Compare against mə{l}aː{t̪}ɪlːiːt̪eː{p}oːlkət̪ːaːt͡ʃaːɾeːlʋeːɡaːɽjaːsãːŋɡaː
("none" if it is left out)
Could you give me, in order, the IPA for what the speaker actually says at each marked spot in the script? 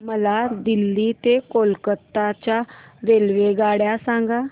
l, d̪, k

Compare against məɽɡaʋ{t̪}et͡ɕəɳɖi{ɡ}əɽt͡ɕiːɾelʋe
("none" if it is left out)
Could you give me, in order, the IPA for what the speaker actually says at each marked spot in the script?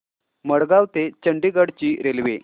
t̪, ɡ

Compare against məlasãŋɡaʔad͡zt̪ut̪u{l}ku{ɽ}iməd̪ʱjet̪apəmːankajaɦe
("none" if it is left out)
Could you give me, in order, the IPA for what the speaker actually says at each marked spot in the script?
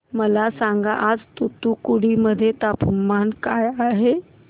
none, ɽ

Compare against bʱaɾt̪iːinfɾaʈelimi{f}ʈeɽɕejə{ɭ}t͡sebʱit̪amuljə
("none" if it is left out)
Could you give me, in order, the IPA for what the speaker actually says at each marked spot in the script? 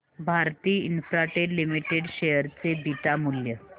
none, ɾ

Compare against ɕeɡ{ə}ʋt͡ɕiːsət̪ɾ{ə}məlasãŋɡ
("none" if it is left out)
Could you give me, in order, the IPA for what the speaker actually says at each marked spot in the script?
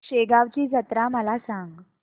a, a

